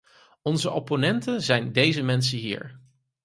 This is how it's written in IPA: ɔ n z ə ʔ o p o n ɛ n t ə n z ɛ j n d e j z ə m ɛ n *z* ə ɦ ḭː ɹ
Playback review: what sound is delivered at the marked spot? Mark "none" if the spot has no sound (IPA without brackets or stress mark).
s